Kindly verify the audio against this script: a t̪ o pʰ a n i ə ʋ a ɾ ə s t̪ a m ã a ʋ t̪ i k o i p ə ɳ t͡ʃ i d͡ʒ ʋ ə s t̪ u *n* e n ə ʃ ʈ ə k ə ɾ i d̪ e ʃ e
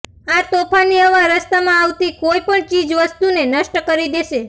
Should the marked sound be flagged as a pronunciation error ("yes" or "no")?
no